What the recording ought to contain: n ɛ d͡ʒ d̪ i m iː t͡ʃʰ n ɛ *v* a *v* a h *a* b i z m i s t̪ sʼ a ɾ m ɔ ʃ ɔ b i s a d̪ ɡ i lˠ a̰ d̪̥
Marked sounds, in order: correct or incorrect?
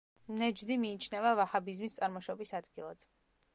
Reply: correct, correct, correct

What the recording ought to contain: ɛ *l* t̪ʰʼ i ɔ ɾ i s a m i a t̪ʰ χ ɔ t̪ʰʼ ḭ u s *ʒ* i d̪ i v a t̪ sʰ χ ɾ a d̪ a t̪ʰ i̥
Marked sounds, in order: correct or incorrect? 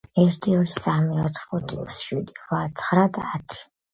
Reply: incorrect, incorrect

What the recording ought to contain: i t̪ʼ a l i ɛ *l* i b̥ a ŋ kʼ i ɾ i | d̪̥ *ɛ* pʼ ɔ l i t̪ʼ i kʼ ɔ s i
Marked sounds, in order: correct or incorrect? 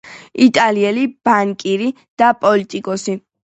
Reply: correct, incorrect

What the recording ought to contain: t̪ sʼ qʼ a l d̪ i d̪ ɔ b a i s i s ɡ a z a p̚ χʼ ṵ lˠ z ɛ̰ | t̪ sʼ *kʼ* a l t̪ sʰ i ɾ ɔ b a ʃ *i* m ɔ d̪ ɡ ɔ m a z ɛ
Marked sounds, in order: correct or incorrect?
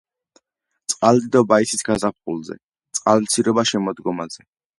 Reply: incorrect, incorrect

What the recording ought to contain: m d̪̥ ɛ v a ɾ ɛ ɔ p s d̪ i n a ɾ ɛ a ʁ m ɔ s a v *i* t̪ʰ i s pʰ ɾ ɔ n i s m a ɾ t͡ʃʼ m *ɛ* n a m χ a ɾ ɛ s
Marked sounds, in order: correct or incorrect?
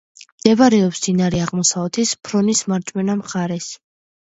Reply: incorrect, correct

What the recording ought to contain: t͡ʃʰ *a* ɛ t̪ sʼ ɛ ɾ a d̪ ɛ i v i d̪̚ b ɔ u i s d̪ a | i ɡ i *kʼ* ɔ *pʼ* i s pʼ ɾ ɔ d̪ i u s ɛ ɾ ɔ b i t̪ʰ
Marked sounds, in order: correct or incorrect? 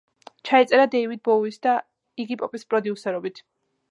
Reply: correct, incorrect, correct

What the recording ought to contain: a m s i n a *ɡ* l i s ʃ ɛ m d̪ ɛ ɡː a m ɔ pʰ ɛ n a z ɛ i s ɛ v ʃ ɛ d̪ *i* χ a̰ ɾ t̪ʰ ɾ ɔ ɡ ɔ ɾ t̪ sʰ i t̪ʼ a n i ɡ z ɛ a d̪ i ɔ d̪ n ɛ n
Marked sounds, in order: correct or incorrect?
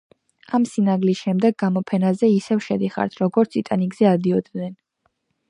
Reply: correct, correct

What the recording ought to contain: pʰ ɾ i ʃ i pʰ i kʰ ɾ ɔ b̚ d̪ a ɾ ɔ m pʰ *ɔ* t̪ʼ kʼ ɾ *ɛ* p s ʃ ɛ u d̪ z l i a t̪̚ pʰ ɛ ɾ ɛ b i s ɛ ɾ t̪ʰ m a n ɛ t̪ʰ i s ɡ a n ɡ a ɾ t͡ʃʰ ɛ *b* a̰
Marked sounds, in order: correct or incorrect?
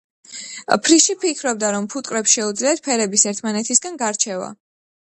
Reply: incorrect, correct, incorrect

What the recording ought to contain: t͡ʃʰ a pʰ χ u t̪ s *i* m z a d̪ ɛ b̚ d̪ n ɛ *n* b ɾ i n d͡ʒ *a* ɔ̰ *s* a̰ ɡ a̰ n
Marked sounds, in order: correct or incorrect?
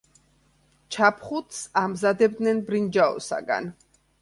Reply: incorrect, correct, correct, correct

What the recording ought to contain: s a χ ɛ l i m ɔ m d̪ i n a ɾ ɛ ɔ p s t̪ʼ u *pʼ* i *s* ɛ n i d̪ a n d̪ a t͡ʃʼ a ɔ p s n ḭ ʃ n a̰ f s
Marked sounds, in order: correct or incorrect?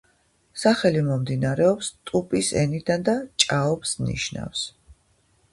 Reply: correct, correct

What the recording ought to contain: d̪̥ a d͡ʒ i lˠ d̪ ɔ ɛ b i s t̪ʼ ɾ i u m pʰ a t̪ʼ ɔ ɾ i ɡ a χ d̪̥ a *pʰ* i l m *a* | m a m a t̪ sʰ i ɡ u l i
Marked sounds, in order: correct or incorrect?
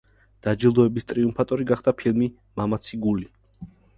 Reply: correct, incorrect

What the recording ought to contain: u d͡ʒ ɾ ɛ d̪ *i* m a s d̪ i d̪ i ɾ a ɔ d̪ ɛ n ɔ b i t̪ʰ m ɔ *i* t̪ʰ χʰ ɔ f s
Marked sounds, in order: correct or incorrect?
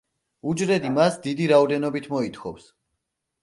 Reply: correct, correct

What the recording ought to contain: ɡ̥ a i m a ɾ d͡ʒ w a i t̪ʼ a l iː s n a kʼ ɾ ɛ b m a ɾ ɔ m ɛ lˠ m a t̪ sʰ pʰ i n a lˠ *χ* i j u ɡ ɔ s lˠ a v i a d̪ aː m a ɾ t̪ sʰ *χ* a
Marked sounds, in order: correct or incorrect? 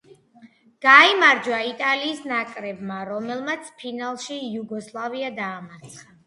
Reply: incorrect, correct

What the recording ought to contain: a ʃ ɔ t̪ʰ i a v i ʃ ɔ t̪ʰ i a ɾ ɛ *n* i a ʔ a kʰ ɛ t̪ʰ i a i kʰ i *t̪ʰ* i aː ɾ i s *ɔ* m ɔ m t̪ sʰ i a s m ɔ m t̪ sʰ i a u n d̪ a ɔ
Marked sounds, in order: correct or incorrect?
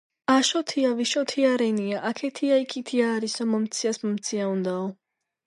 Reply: correct, correct, correct

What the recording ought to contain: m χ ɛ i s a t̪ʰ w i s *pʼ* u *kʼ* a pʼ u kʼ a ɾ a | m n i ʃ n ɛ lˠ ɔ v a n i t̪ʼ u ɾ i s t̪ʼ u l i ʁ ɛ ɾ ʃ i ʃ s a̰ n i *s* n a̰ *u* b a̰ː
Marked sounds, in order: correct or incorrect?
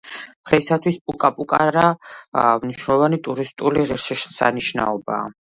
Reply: correct, correct, incorrect, incorrect

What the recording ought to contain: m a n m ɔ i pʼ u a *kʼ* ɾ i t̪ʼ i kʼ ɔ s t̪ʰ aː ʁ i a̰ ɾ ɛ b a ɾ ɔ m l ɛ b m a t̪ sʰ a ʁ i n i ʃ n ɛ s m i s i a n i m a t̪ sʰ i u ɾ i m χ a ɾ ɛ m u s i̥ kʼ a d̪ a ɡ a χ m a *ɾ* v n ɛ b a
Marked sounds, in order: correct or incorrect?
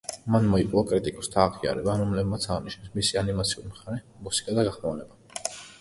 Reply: correct, incorrect

